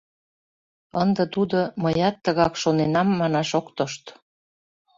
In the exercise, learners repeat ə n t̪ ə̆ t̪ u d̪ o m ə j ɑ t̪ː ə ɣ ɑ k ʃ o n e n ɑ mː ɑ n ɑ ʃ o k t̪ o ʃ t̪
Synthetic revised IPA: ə n d̪ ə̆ t̪ u d̪ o m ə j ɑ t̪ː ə ɣ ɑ k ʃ o n e n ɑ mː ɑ n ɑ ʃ o k t̪ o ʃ t̪